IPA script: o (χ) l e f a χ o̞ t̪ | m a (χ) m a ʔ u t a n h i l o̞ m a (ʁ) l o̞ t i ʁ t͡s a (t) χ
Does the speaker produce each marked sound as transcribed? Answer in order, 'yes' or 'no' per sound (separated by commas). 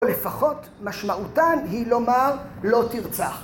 no, no, yes, no